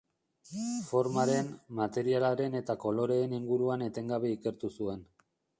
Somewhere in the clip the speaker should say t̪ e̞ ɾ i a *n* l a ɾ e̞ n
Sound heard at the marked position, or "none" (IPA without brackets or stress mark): none